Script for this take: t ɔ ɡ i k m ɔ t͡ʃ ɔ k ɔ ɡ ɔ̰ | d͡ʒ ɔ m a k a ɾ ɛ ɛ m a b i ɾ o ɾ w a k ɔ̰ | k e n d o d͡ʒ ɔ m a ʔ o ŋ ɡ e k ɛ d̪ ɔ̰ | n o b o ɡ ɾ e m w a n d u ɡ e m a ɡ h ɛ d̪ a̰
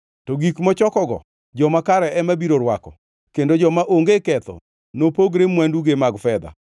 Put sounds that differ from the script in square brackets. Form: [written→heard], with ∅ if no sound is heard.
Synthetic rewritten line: t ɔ ɡ i k m ɔ t͡ʃ ɔ k ɔ ɡ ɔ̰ | d͡ʒ ɔ m a k a ɾ ɛ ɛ m a b i ɾ o ɾ w a k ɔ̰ | k e n d o d͡ʒ ɔ m a ʔ o ŋ ɡ e k ɛ [d̪→t̪] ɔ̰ | n o [b→p] o ɡ ɾ e m w a n d u ɡ e m a ɡ [h→f] ɛ d̪ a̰